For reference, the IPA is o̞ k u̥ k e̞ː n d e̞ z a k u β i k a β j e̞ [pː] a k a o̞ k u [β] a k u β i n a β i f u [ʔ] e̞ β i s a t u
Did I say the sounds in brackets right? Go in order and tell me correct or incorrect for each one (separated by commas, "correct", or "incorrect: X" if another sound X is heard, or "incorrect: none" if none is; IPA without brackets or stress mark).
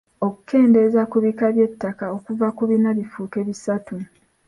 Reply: incorrect: tː, incorrect: v, incorrect: k